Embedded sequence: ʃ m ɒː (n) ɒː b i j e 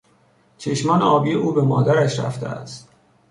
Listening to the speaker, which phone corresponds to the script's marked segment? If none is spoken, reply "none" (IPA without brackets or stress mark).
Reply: n